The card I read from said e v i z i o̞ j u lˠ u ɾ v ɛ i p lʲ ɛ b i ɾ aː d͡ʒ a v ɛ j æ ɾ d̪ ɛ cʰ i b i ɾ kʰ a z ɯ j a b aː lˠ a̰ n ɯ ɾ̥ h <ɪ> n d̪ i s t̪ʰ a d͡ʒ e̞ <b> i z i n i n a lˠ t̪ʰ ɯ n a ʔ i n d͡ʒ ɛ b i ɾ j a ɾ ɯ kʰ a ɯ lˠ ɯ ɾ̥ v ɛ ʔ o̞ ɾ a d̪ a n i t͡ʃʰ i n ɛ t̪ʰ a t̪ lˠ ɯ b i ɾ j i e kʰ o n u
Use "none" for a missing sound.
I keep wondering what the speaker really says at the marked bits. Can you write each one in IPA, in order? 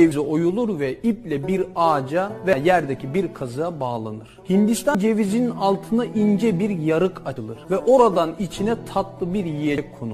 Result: i, v

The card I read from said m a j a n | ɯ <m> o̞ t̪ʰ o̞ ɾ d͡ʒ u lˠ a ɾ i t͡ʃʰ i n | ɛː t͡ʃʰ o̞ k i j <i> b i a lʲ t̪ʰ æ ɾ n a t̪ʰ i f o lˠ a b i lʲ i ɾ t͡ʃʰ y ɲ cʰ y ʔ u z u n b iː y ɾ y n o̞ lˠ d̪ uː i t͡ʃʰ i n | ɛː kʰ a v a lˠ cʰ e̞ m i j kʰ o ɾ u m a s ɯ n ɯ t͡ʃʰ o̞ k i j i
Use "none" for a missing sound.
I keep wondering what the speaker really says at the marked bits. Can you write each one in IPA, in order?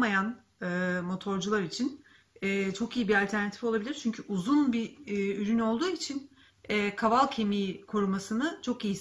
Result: m, i

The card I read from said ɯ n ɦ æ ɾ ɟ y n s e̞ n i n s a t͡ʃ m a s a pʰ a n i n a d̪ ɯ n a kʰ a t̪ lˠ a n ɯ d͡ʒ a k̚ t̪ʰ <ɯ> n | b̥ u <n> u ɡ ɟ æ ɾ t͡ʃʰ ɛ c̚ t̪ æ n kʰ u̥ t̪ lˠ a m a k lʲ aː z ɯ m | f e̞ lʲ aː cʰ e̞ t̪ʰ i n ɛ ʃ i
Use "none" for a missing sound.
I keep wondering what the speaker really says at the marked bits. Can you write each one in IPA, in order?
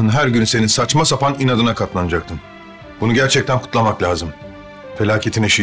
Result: ɯ, n

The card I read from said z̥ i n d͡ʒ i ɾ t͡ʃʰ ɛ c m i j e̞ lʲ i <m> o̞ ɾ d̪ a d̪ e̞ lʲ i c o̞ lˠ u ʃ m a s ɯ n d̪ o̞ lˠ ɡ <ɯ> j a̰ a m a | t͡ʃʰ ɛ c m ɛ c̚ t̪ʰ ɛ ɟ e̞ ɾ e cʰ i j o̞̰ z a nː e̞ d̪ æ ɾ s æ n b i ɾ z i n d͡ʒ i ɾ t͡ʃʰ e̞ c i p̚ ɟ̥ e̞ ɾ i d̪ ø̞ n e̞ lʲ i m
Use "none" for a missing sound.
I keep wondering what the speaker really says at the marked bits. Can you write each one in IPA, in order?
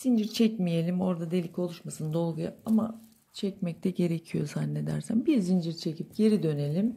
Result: m, u

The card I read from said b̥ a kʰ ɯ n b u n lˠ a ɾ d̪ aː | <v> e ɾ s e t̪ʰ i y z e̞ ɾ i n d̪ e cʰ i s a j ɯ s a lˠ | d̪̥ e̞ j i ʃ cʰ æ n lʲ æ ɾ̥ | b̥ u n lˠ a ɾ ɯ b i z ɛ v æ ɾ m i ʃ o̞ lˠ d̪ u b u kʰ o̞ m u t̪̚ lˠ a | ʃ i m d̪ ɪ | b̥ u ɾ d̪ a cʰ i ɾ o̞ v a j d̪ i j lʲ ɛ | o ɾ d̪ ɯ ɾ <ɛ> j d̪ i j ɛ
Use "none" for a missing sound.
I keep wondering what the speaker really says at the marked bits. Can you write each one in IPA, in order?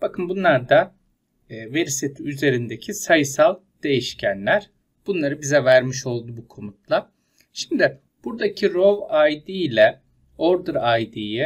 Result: v, a

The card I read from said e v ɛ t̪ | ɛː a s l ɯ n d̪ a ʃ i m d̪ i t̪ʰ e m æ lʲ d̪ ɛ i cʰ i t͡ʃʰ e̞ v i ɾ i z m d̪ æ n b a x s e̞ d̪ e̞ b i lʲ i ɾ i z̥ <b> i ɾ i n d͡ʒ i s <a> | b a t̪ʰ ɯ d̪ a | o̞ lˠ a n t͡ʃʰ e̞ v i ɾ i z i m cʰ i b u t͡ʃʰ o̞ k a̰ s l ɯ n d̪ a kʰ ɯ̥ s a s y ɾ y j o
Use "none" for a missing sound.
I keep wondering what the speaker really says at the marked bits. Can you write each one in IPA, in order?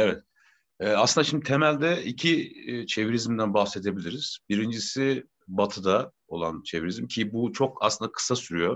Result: b, i

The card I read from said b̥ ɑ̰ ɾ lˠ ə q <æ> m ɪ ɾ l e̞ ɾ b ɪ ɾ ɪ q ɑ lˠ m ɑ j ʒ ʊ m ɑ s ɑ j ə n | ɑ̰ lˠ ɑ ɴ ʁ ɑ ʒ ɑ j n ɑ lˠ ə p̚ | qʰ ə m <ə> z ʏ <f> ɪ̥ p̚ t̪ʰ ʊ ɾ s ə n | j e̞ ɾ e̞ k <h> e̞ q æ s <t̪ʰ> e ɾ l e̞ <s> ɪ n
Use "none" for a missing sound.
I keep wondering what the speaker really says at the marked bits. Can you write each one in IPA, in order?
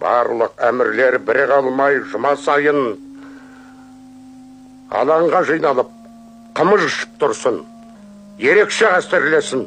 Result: æ, ə, ʃ, ʃ, t̪, s

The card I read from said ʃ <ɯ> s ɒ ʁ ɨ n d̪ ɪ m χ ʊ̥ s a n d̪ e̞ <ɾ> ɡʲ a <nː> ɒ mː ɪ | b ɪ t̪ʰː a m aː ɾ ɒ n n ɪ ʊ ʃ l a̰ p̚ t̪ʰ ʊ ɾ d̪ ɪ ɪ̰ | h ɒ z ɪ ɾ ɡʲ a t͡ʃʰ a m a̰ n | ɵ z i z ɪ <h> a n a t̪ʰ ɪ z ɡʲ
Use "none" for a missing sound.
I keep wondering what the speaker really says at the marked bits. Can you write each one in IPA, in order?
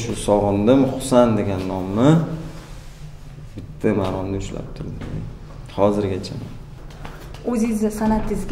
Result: ʊ, none, nː, s

